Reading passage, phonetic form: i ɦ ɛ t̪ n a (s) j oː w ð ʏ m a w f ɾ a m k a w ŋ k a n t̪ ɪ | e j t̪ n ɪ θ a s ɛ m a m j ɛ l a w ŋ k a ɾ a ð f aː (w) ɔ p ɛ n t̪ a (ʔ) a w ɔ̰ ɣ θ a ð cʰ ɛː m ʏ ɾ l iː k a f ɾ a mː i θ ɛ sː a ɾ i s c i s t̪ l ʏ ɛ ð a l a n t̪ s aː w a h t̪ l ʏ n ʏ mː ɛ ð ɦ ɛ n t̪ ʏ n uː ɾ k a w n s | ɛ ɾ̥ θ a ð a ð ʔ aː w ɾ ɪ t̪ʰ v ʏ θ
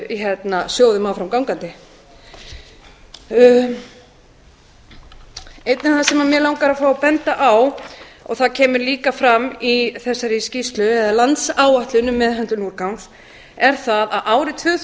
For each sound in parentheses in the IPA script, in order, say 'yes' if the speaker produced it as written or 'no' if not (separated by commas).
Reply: yes, yes, yes